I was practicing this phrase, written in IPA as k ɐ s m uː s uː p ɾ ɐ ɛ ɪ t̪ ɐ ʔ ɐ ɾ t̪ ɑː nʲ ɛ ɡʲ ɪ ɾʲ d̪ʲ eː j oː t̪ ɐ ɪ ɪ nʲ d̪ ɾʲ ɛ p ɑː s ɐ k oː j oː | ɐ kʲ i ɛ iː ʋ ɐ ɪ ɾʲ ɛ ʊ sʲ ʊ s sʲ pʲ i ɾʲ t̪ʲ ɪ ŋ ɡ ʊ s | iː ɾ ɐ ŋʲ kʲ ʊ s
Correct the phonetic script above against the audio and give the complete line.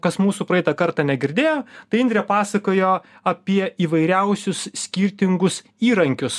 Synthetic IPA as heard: k ɐ s m uː s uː p ɾ ɐ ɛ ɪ t̪ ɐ k ɐ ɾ t̪ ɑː nʲ ɛ ɡʲ ɪ ɾʲ d̪ʲ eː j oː t̪ ɐ ɪ ɪ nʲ d̪ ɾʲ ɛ p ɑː s ɐ k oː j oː | ɐ pʲ i ɛ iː ʋ ɐ ɪ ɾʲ ɛ ʊ sʲ ʊ s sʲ kʲ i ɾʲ t̪ʲ ɪ ŋ ɡ ʊ s | iː ɾ ɐ ŋʲ kʲ ʊ s